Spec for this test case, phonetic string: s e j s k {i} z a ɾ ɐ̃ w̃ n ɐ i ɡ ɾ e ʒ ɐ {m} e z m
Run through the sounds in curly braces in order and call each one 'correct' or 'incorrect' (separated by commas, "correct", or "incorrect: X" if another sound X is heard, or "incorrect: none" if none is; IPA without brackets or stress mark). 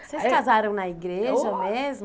incorrect: a, correct